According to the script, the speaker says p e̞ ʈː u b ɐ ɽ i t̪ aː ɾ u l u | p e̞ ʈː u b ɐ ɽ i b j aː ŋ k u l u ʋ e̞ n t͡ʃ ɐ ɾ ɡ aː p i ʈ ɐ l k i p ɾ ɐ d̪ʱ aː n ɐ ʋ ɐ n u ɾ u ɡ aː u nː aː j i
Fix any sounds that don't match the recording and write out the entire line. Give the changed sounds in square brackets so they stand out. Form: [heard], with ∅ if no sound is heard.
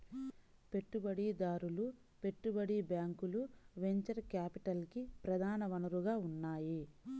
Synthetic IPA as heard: p e̞ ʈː u b ɐ ɽ i [d̪] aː ɾ u l u | p e̞ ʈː u b ɐ ɽ i b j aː ŋ k u l u ʋ e̞ [ɲ] t͡ʃ ɐ ɾ [k] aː p i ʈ ɐ l k i p ɾ ɐ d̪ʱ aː n ɐ ʋ ɐ n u ɾ u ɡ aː u nː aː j i